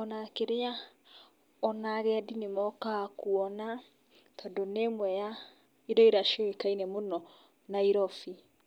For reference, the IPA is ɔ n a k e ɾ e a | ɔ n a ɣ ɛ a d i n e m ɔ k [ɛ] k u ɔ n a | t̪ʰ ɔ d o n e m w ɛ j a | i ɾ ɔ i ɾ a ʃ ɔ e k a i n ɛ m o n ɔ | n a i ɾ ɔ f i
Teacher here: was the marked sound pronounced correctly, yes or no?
no